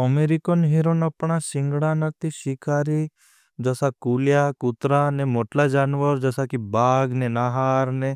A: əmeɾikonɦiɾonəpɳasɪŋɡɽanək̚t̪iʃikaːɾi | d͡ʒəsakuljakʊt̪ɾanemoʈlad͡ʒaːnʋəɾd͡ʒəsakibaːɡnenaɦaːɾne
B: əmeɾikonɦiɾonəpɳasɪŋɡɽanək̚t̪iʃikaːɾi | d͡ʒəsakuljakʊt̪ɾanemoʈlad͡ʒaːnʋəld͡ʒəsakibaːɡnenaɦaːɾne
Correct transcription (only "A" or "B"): A